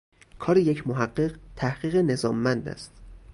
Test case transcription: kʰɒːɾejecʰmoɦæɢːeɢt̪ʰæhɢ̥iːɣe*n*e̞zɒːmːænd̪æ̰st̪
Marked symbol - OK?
yes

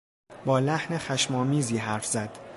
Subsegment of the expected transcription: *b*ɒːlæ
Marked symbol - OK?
yes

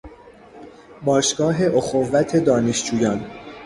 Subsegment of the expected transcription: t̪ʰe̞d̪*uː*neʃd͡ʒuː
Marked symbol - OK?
no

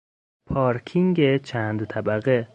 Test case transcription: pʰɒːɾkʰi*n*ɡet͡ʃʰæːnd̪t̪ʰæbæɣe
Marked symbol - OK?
no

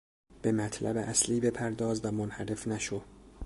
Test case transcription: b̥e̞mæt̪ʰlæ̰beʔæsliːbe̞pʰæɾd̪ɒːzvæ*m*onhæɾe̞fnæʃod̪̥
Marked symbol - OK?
yes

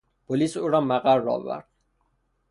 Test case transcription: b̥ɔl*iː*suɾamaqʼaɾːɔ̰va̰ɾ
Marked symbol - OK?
no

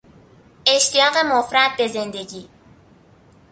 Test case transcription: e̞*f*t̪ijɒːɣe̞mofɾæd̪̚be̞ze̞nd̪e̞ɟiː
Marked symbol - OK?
no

